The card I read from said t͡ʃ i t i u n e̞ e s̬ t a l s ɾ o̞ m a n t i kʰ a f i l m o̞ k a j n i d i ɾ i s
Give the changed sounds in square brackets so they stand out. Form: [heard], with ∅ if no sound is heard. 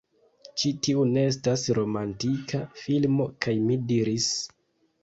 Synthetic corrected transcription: t͡ʃ i t i u n e̞ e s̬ t a [∅] s ɾ o̞ m a n t i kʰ a f i l m o̞ k a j [m] i d i ɾ i s

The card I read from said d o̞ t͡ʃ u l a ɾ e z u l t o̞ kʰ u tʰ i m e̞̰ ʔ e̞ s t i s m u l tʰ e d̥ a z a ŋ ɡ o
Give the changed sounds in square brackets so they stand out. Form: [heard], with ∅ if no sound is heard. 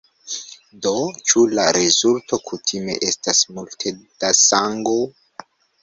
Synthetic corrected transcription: d o̞ t͡ʃ u l a ɾ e z u l t o̞ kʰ u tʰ i m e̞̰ ʔ e̞ s t [a] s m u l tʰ e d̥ a [s] a ŋ ɡ o

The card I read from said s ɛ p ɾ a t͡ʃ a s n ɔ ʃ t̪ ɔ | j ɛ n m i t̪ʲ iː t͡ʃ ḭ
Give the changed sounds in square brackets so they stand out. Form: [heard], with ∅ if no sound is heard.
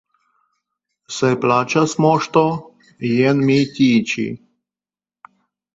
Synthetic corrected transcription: s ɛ p [l] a t͡ʃ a s [m] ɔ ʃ t̪ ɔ | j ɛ n m i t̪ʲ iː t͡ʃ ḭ

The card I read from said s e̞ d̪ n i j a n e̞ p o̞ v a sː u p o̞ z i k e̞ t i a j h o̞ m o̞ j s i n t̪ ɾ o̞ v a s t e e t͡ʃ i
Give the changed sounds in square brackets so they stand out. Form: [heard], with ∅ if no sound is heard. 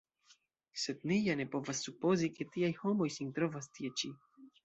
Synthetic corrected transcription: s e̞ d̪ n i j a n e̞ p o̞ v a sː u p o̞ z i k e̞ t i a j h o̞ m o̞ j s i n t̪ ɾ o̞ v a s t [i] e t͡ʃ i

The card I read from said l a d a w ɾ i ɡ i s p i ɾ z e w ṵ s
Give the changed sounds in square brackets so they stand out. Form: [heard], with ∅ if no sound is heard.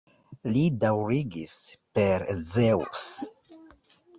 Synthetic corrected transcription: l [i] d a w ɾ i ɡ i s p [e] ɾ z e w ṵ s

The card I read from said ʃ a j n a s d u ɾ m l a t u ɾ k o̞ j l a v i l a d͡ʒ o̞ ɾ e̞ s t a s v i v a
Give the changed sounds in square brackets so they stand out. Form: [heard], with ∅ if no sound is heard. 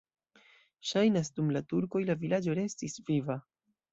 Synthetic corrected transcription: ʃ a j n a s d u [∅] m l a t u ɾ k o̞ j l a v i l a d͡ʒ o̞ ɾ e̞ s t [i] s v i v a

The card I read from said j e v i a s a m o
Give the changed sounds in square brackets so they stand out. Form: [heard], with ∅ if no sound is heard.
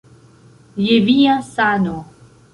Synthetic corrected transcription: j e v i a s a [n] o

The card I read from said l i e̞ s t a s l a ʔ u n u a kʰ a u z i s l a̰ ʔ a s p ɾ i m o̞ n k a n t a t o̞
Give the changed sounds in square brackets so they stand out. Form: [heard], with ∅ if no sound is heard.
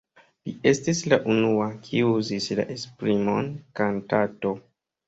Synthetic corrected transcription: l i e̞ s t [i] s l a ʔ u n u a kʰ [i] u z i s l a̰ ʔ [e] s p ɾ i m o̞ n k a n t a t o̞

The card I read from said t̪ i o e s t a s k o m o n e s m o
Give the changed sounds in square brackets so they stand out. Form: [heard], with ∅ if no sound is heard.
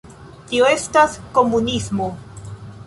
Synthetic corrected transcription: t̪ i o e s t a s k o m [u] n [i] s m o

